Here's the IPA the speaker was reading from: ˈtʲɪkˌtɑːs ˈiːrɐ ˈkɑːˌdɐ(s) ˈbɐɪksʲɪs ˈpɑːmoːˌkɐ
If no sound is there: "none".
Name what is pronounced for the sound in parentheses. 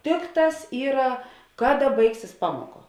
none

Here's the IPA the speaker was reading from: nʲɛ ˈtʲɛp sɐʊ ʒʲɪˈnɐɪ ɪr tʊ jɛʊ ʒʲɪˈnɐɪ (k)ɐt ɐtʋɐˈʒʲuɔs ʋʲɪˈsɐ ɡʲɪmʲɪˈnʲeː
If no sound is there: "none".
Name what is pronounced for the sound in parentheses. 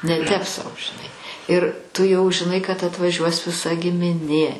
k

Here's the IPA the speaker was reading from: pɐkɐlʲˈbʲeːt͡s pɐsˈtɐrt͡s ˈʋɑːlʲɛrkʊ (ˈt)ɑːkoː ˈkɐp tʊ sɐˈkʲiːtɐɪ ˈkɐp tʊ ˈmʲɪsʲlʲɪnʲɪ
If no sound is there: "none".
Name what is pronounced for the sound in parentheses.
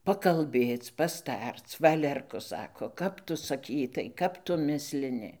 s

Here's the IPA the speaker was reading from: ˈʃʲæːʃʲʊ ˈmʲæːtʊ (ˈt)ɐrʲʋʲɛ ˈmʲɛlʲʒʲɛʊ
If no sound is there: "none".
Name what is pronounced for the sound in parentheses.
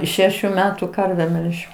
k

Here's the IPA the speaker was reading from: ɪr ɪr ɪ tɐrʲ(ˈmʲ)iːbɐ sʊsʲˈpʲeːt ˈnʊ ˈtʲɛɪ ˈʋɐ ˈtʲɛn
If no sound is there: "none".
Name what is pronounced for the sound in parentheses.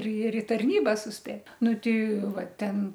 nʲ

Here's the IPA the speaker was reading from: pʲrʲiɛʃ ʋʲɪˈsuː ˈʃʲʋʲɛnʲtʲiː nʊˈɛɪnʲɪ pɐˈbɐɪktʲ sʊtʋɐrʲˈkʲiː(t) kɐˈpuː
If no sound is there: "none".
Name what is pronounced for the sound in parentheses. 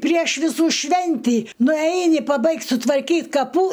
t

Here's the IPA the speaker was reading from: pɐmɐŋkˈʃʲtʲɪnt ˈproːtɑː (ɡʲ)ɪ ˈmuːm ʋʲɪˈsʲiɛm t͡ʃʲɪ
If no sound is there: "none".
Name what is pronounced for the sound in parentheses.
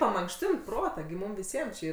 ɡʲ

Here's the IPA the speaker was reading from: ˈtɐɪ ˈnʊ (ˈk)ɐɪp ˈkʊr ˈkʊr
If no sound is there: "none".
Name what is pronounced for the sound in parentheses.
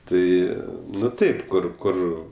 t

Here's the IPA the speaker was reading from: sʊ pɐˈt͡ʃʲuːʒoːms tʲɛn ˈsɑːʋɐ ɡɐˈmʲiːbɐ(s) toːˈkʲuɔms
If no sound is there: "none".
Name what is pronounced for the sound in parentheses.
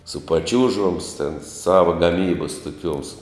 s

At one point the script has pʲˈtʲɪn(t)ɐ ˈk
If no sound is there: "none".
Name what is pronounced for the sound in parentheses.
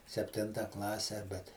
t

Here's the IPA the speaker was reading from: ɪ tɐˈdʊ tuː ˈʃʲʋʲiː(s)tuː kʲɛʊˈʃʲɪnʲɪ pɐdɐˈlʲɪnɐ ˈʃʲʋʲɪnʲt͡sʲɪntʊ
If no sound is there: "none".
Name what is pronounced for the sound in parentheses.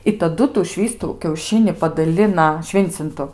s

